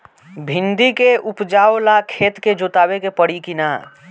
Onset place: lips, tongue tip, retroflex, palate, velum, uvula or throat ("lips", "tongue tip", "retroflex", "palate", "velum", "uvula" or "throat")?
lips